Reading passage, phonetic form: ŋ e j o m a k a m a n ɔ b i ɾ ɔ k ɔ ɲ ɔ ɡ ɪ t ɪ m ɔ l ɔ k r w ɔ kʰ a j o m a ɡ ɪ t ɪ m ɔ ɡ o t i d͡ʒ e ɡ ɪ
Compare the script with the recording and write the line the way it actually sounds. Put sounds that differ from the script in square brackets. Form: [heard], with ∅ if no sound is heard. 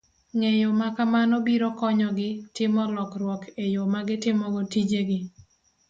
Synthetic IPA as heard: ŋ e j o m a k a m a n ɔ b i ɾ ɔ k ɔ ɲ ɔ ɡ ɪ t ɪ m ɔ l ɔ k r w ɔ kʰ [e] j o m a ɡ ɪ t ɪ m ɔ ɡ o t i d͡ʒ e ɡ ɪ